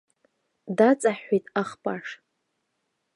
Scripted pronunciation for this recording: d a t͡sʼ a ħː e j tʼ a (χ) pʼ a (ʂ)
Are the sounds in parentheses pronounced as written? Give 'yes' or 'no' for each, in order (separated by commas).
yes, yes